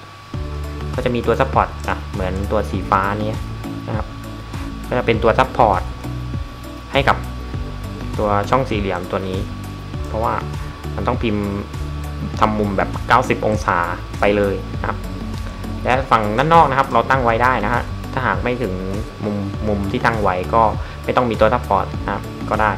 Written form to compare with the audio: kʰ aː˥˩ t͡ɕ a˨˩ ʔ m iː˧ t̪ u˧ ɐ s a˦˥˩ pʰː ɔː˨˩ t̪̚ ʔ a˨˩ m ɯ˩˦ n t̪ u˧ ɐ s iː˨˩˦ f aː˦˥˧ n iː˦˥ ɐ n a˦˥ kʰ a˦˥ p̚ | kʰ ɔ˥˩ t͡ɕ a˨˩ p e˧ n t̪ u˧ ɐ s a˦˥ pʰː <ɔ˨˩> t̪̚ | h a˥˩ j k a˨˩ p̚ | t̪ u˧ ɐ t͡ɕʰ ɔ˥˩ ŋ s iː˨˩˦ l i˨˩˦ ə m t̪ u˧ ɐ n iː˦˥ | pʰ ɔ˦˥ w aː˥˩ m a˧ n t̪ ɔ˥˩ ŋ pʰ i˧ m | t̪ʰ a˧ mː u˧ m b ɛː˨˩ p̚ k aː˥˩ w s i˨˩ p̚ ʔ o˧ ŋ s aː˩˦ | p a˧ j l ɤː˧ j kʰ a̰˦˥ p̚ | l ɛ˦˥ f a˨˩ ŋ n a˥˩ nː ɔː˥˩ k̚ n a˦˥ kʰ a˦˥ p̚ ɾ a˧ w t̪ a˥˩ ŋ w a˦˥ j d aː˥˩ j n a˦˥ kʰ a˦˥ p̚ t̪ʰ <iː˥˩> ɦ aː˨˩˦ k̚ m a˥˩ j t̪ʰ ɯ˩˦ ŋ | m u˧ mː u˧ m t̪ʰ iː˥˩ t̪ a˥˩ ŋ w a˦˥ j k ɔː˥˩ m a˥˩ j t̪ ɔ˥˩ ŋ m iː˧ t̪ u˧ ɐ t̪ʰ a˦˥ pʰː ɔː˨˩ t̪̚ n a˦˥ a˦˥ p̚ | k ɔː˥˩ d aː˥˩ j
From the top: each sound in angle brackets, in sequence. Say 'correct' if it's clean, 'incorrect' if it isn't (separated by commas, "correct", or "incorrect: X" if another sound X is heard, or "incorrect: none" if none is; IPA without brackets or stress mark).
incorrect: ɔː˨˩, incorrect: aː˥˩